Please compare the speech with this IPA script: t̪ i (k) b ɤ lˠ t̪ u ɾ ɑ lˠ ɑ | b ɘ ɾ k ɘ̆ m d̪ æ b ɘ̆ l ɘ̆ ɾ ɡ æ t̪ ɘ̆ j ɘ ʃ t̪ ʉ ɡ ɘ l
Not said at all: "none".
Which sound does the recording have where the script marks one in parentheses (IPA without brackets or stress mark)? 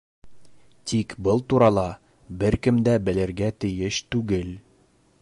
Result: k